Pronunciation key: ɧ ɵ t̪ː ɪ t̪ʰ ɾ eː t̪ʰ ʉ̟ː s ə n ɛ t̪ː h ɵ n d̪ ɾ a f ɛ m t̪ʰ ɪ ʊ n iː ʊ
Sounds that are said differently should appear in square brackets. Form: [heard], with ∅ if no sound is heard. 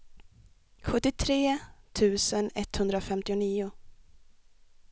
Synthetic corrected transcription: ɧ ɵ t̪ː ɪ t̪ʰ ɾ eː t̪ʰ ʉ̟ː s ə n ɛ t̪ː h ɵ n d̪ ɾ a f ɛ m [t̪] ɪ ʊ n iː ʊ